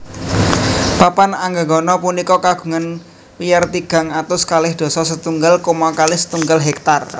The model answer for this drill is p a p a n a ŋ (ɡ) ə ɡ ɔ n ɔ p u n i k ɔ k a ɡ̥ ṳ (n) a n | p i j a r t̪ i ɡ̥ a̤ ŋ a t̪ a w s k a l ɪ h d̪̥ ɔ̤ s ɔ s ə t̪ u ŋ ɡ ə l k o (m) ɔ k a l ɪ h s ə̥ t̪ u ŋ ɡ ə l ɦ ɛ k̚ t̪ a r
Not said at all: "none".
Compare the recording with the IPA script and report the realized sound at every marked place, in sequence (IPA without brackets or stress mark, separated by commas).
ɡ, ŋ, m